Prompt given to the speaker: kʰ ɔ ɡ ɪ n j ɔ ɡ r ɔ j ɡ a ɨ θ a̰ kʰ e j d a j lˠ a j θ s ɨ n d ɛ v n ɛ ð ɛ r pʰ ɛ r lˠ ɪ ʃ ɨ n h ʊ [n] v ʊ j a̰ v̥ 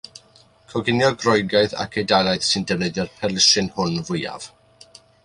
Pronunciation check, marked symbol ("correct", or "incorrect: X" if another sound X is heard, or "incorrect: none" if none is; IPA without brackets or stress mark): correct